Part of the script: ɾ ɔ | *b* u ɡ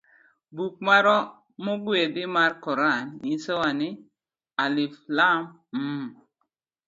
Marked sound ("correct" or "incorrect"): incorrect